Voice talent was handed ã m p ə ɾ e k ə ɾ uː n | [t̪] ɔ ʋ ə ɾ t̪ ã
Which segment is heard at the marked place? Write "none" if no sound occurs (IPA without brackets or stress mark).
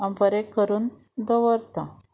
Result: d̪